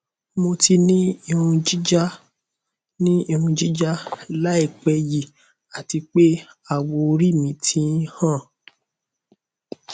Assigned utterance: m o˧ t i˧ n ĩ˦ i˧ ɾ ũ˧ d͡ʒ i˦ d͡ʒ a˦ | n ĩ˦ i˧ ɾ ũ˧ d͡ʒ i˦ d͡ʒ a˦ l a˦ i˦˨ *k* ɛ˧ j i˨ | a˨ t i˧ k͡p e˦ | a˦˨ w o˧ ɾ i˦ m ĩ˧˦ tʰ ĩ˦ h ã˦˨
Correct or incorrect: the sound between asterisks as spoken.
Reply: incorrect: k͡p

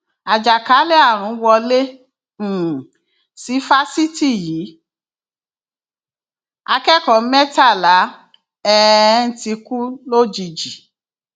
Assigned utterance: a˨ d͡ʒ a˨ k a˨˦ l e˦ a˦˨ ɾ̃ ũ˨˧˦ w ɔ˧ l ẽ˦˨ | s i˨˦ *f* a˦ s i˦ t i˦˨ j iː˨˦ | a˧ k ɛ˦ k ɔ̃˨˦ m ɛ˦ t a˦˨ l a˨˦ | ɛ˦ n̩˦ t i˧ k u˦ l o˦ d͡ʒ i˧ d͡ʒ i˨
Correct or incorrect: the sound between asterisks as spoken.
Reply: correct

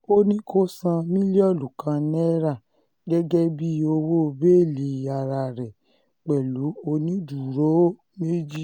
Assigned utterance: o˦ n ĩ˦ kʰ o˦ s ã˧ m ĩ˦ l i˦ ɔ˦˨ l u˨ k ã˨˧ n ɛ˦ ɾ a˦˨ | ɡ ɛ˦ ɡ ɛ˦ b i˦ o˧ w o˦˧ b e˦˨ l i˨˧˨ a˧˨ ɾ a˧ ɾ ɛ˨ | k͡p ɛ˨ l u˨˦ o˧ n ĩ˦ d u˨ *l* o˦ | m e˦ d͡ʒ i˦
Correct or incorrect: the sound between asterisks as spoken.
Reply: incorrect: ɾ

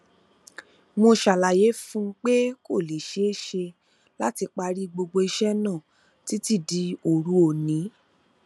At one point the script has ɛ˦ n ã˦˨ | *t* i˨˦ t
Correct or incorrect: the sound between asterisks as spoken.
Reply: correct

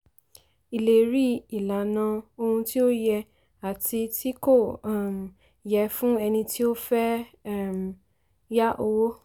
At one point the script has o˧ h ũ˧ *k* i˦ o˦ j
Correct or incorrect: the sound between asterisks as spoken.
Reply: incorrect: t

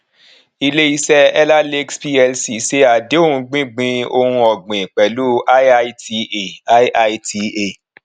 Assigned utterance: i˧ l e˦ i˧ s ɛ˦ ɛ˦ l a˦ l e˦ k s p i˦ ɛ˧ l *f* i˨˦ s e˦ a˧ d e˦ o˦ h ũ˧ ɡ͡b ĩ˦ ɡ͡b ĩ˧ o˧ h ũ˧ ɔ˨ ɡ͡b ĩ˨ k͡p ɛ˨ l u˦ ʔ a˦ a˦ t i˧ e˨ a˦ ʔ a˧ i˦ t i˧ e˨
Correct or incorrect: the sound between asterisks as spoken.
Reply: incorrect: s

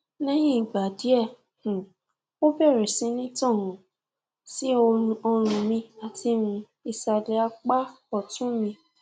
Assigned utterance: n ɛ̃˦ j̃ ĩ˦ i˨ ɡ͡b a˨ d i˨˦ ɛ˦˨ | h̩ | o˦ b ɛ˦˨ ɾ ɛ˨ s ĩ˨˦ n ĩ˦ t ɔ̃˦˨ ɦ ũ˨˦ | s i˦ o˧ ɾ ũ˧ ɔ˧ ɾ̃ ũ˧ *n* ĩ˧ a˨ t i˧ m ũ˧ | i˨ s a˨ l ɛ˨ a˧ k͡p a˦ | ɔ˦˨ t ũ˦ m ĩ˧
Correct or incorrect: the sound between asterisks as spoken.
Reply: incorrect: m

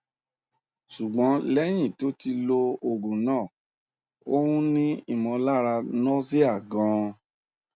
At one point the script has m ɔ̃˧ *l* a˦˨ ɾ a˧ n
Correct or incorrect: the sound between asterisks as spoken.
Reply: correct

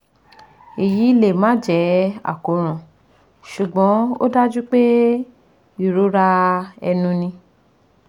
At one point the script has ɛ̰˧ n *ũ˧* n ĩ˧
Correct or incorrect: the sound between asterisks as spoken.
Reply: correct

